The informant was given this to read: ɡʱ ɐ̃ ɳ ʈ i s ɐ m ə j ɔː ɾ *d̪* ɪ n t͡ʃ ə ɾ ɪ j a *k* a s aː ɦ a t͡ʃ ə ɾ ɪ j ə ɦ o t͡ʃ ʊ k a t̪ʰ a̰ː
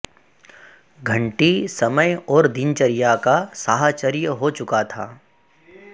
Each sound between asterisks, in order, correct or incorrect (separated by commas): correct, correct